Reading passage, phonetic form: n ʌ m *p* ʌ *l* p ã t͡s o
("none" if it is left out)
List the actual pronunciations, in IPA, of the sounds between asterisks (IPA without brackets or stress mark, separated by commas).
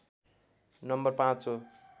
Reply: b, r